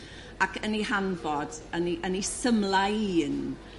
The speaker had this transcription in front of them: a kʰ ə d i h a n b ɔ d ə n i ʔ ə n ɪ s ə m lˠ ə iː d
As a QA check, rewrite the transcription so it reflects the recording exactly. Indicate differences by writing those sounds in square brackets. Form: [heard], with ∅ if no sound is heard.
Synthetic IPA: a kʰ ə [n] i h a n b ɔ d ə n i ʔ ə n [i] s ə m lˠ [a] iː [n]